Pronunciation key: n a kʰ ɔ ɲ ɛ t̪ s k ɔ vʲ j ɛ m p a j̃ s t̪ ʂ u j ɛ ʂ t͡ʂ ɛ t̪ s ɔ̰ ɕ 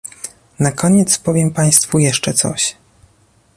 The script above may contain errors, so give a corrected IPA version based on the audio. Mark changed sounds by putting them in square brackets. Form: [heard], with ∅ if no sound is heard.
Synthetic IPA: n a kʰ ɔ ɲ ɛ t̪ s [p] ɔ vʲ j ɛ m p a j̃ s t̪ [f] u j ɛ ʂ t͡ʂ ɛ t̪ s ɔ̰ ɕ